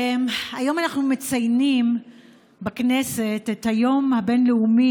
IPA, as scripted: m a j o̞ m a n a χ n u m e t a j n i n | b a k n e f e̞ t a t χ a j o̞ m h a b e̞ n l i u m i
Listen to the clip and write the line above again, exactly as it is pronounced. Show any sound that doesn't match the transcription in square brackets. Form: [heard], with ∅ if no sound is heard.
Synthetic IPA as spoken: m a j o̞ m a n a χ n u m e [t͡s] a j n i [m] | b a k n e [s] e̞ t [e] t [h] a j o̞ m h a b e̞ n l [e] u m i